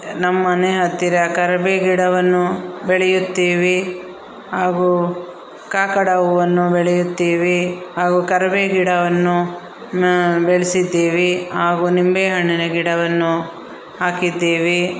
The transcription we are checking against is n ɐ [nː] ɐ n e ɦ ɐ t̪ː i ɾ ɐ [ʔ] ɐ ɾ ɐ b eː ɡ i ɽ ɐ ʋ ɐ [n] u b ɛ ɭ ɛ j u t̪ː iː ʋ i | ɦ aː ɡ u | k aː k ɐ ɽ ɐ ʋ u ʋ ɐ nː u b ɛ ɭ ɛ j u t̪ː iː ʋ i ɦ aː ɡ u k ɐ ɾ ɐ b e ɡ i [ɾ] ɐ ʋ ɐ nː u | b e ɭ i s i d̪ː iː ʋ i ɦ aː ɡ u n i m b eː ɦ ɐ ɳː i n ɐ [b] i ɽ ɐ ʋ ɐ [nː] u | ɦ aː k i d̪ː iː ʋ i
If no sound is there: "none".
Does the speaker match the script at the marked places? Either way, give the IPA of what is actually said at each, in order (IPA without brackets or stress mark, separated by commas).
mː, k, nː, ɽ, ɡ, nː